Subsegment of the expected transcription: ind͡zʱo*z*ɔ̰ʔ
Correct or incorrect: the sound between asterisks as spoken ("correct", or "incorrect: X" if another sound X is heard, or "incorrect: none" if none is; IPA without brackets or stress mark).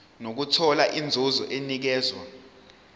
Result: correct